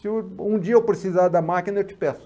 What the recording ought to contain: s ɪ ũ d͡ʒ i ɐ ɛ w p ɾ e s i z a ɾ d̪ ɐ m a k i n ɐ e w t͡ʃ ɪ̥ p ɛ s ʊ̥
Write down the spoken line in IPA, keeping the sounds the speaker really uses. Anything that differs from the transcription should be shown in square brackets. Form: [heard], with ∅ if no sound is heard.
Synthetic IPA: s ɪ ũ d͡ʒ i ɐ [e] w p ɾ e s i z a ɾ d̪ ɐ m a k i n ɐ e w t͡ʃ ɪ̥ p ɛ s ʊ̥